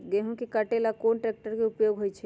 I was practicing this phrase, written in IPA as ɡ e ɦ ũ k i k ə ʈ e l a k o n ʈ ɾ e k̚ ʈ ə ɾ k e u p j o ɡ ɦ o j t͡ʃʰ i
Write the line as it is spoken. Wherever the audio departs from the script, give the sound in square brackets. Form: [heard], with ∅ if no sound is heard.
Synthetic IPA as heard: ɡ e ɦ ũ k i k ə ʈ e l a k o n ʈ ɾ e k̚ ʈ ə ɾ k e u p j o ɡ ɦ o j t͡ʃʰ [ɛ]

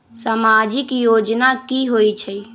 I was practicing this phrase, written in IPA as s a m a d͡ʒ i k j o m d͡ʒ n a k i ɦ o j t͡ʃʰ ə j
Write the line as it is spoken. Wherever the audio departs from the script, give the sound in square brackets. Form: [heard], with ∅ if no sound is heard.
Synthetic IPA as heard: s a m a d͡ʒ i k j o [∅] d͡ʒ n a k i ɦ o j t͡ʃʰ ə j

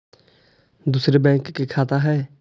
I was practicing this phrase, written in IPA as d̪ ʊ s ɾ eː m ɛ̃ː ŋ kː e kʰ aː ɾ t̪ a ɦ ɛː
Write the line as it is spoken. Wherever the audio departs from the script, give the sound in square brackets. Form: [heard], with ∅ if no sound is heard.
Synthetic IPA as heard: d̪ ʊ s ɾ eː [b] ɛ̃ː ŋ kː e kʰ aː [∅] t̪ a ɦ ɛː

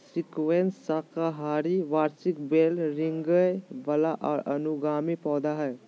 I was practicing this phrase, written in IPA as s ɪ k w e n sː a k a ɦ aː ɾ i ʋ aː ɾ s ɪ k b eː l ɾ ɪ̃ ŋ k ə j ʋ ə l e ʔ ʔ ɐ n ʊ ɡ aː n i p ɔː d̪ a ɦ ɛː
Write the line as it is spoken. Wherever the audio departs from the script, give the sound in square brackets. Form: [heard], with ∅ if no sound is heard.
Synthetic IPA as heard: s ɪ k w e n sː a k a ɦ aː ɾ i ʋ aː ɾ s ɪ k b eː l ɾ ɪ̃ ŋ [ɡ] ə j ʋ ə l [a] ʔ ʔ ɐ n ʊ ɡ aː [m] i p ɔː d̪ a ɦ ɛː

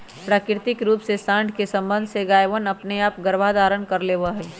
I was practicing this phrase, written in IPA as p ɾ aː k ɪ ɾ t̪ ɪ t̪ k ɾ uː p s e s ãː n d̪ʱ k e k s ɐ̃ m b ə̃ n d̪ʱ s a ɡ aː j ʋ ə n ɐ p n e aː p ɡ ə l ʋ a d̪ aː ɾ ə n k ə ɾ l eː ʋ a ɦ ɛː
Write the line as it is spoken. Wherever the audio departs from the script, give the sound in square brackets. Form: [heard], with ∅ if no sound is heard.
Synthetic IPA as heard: p ɾ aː k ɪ ɾ t̪ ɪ [∅] k ɾ uː p s e s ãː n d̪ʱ k e [∅] s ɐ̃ m b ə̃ n d̪ʱ s [e] ɡ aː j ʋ ə n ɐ p n e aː p ɡ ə [ɾ] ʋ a d̪ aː ɾ ə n k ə ɾ l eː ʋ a ɦ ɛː

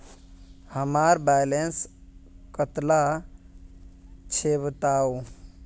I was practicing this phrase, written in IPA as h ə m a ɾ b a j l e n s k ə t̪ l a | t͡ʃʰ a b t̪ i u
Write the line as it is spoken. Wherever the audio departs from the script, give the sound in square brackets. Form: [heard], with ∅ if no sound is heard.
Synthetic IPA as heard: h ə m a ɾ b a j l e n s k ə t̪ l a | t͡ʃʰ [e] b t̪ [a] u

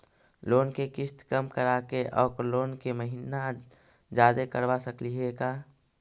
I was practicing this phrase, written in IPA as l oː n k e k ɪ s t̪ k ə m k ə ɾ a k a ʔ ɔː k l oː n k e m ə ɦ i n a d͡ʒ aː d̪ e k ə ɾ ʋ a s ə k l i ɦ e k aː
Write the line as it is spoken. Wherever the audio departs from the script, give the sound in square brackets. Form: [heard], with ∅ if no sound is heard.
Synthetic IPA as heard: l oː n k e k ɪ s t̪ k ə m k ə ɾ a k [e] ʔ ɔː k l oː n k e m ə ɦ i n a d͡ʒ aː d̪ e k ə ɾ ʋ a s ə k l i ɦ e k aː

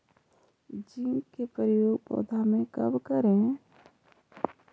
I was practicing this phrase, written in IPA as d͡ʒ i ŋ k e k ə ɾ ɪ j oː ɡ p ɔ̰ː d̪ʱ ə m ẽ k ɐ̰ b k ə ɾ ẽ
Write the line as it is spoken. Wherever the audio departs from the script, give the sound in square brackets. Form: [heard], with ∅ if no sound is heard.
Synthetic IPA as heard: d͡ʒ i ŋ k e [p] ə ɾ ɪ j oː ɡ p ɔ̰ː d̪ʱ [a] m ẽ k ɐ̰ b k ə ɾ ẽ

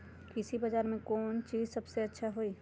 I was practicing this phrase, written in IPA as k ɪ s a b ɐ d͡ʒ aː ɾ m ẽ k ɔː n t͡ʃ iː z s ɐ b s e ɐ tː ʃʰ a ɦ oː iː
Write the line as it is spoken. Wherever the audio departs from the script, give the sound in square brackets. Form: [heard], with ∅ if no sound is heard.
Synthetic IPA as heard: k ɪ s [i] b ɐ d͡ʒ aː ɾ m ẽ k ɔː n t͡ʃ iː z s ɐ b s e ɐ tː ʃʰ a ɦ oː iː

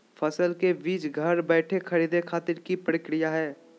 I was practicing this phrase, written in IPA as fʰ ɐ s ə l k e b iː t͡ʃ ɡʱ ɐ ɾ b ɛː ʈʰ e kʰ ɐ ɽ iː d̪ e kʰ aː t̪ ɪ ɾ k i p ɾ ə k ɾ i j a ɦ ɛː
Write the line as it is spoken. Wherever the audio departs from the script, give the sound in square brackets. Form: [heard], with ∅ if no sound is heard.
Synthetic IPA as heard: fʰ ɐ s ə l k e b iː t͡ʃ ɡʱ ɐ ɾ b ɛː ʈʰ e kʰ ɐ [ɾ] iː d̪ e kʰ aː t̪ ɪ ɾ k i p ɾ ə k ɾ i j a ɦ ɛː

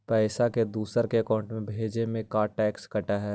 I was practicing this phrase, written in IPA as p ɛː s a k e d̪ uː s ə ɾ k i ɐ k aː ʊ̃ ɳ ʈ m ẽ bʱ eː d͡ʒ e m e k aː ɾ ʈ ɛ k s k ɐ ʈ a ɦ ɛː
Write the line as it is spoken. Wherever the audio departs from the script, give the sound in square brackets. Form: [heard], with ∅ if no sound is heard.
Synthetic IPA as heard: p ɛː s a k e d̪ uː s ə ɾ k [e] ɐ k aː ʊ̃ ɳ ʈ m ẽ bʱ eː d͡ʒ e m [ẽ] k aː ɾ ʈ [ɛː] k s k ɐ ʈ a ɦ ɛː

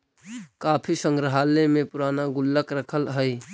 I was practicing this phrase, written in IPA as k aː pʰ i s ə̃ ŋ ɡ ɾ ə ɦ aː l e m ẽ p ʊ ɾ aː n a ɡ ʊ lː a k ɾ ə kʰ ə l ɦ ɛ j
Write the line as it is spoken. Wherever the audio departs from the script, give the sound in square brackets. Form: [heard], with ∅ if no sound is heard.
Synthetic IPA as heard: k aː pʰ i s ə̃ ŋ ɡ ɾ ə ɦ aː l e m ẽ p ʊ ɾ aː n a ɡ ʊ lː [ə] k ɾ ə kʰ ə l ɦ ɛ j

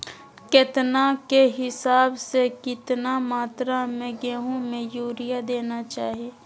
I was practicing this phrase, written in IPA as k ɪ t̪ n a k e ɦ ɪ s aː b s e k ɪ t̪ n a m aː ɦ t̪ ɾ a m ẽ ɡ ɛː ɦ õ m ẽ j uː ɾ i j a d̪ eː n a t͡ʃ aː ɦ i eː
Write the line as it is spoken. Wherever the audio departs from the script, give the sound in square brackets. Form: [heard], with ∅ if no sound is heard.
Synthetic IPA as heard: k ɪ t̪ n a k e ɦ ɪ s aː b s e k ɪ t̪ n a m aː [∅] t̪ ɾ a m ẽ ɡ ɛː ɦ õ m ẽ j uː ɾ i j a d̪ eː n a t͡ʃ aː ɦ i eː

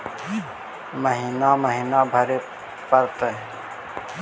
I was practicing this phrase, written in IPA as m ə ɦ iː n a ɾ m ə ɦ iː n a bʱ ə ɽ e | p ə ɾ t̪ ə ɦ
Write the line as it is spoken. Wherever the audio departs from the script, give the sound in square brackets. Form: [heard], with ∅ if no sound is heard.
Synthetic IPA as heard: m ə ɦ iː n a [∅] m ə ɦ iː n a bʱ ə [ɾ] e | p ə ɾ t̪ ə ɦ

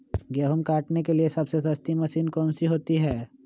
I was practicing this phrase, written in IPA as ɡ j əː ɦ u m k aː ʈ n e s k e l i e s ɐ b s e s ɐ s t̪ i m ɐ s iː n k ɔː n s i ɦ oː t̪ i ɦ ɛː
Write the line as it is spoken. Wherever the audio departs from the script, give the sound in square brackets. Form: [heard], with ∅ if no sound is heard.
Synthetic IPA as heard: ɡ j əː ɦ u m k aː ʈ n e [∅] k e l i e s ɐ b s e s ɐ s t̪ i m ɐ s iː n k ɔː n s i ɦ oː t̪ i ɦ ɛː

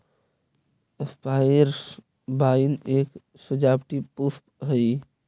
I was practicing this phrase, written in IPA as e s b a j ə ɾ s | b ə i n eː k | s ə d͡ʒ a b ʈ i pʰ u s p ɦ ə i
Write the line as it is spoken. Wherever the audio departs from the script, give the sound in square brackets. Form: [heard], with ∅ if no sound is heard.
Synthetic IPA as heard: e s [p] a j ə ɾ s | b [a] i n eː k | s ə d͡ʒ a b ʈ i [p] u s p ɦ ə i

